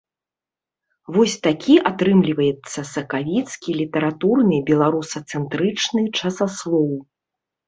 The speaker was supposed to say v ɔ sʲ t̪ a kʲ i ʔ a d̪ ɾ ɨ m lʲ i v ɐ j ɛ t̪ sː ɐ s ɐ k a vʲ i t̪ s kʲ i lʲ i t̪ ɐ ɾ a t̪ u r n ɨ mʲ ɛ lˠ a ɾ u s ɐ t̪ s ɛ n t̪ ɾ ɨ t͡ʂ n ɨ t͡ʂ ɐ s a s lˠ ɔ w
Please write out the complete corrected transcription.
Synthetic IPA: v ɔ sʲ t̪ a kʲ i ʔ a t̪ ɾ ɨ m lʲ i v ɐ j ɛ t̪ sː ɐ s ɐ k a vʲ i t̪ s kʲ i lʲ i t̪ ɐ ɾ a t̪ u r n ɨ bʲ ɛ lˠ a ɾ u s ɐ t̪ s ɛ n t̪ ɾ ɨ t͡ʂ n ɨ t͡ʂ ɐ s a s lˠ ɔ w